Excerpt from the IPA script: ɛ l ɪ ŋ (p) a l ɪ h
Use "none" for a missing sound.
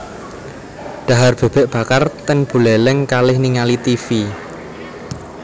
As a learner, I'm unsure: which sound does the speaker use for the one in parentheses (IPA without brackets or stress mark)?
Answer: k